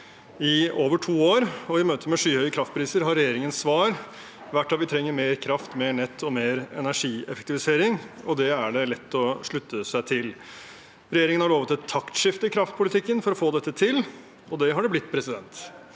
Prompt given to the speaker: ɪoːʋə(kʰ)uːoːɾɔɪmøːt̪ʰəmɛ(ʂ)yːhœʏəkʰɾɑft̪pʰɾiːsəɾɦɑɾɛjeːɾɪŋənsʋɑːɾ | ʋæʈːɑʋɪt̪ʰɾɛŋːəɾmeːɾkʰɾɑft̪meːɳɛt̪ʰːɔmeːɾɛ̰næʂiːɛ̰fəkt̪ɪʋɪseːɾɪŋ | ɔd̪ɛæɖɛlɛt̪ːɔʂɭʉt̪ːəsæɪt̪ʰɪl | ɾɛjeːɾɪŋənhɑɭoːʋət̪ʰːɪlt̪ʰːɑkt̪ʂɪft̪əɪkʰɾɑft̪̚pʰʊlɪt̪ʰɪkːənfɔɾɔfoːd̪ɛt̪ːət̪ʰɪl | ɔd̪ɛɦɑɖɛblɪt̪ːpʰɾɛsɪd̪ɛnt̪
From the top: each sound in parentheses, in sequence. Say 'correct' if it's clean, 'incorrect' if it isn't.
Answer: incorrect: ʈʰ, correct

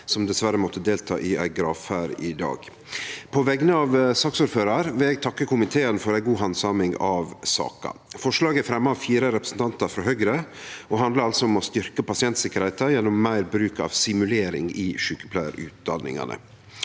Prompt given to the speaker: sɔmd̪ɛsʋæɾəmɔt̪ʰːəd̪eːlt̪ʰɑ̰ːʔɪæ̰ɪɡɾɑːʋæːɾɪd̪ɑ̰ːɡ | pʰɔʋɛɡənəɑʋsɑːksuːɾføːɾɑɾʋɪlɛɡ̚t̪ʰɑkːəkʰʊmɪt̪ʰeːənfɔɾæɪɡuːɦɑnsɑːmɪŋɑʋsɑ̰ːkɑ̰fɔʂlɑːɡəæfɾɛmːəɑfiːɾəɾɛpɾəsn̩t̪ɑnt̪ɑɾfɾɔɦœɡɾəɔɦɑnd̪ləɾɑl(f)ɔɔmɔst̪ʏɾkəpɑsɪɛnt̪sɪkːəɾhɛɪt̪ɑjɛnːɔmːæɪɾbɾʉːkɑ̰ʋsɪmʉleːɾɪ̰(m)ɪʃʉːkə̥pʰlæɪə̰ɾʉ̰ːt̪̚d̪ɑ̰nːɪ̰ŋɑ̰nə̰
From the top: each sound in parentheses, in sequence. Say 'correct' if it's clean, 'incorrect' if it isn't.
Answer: incorrect: s, incorrect: ŋ

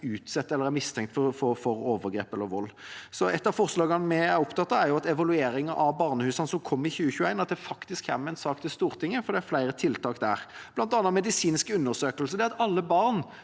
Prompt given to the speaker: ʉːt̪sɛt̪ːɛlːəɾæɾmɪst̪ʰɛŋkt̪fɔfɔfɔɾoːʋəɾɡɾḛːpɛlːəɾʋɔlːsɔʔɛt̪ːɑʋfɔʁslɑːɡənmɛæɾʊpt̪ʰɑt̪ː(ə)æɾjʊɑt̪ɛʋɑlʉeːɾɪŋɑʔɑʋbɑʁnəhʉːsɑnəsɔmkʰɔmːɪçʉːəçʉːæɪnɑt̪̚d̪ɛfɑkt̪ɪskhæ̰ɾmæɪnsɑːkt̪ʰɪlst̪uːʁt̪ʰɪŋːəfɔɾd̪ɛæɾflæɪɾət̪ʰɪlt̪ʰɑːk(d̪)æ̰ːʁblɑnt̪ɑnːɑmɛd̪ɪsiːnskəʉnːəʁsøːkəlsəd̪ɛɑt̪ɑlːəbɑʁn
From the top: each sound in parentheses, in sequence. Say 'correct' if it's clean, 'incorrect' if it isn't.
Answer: incorrect: ɑ, correct

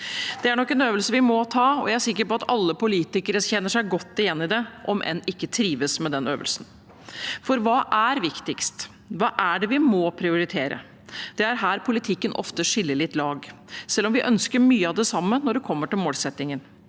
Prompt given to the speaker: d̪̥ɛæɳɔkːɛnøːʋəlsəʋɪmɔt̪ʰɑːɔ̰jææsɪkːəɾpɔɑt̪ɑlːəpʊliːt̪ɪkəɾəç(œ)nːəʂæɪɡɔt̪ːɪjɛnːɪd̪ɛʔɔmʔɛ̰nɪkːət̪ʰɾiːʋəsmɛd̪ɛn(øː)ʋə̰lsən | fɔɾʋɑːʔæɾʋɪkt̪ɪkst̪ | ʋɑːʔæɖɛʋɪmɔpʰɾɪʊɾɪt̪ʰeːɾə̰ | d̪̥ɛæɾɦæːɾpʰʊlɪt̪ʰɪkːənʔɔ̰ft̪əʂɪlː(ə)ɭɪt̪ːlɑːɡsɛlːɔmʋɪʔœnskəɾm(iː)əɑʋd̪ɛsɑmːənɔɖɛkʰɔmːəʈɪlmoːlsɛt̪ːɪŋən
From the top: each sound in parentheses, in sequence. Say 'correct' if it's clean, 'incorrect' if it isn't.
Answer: incorrect: ɛ, correct, correct, incorrect: yː

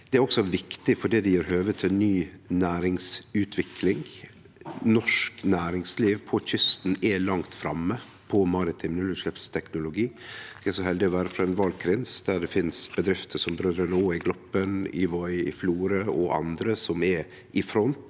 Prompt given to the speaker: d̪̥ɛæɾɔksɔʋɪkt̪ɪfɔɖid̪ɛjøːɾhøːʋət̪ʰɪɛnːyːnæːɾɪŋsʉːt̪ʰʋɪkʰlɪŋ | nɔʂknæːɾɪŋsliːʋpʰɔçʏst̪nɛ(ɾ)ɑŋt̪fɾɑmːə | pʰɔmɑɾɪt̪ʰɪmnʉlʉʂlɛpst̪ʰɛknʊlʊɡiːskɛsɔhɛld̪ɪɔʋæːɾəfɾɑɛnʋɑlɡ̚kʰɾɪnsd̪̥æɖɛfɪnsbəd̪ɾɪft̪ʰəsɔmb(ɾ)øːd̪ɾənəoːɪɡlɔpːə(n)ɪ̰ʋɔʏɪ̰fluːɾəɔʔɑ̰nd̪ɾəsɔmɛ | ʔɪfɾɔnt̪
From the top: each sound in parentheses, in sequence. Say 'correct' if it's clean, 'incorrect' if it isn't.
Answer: incorrect: l, correct, correct

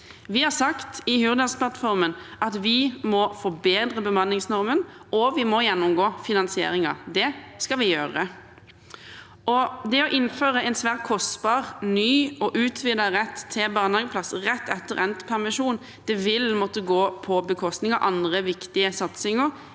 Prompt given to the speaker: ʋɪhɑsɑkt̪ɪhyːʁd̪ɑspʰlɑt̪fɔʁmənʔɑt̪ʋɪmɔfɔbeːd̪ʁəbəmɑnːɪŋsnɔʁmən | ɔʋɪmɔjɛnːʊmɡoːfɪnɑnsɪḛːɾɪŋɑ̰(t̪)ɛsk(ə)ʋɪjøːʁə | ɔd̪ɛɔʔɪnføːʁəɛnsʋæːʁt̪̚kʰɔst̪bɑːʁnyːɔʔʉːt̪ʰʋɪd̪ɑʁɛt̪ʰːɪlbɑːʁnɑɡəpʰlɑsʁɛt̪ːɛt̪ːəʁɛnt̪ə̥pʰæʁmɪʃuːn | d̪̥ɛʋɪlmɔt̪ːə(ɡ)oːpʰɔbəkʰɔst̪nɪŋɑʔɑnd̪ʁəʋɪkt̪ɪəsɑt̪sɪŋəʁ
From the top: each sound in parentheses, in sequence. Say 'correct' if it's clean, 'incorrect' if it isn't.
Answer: incorrect: d̪, incorrect: ɑ, correct

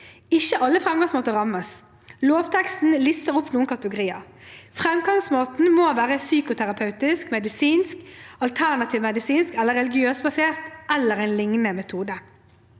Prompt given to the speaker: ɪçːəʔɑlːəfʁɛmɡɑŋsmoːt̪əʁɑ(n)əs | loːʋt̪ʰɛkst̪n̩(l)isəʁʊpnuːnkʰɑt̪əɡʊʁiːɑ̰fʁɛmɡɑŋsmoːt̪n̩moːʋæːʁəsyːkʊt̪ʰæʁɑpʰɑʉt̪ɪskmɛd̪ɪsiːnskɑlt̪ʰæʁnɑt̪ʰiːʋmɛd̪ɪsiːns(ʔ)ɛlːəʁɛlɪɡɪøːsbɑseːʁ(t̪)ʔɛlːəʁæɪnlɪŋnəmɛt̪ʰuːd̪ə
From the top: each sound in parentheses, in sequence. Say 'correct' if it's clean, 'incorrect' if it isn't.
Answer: incorrect: m, correct, incorrect: k, correct

